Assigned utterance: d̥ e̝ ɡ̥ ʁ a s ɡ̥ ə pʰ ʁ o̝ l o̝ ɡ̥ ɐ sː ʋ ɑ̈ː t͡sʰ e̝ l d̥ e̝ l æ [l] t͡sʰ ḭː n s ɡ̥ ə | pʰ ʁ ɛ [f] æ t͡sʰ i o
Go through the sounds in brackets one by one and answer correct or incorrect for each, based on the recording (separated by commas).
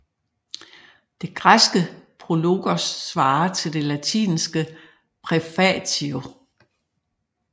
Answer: incorrect, correct